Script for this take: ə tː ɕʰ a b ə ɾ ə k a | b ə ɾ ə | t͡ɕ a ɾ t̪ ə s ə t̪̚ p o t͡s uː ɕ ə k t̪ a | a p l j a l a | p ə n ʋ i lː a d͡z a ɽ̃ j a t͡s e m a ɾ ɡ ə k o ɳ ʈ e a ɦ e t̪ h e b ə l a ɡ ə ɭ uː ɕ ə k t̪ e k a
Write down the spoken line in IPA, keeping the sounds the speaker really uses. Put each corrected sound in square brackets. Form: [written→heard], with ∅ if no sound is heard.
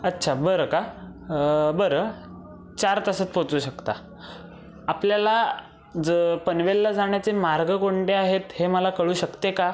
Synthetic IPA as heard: ə tː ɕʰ a b ə ɾ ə k a | b ə ɾ ə | t͡ɕ a ɾ t̪ ə s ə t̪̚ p o t͡s uː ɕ ə k t̪ a | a p l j a l a | p ə n ʋ [i→e] lː a d͡z a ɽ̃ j a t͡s e m a ɾ ɡ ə k o ɳ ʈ e a ɦ e t̪ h e [b→m] ə l a [ɡ→k] ə ɭ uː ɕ ə k t̪ e k a